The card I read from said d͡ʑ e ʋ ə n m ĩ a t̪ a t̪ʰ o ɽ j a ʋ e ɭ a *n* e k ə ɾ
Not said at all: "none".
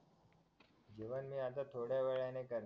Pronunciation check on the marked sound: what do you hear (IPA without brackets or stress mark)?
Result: n